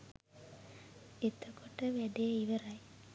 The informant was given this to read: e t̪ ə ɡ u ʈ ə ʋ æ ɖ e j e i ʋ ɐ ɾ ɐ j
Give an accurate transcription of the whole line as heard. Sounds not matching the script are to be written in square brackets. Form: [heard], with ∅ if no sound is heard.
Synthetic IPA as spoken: e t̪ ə [k] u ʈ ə ʋ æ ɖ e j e i ʋ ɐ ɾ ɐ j